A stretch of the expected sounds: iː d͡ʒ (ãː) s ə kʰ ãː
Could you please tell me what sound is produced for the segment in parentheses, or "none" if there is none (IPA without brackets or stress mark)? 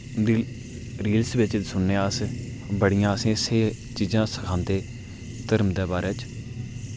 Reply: ãː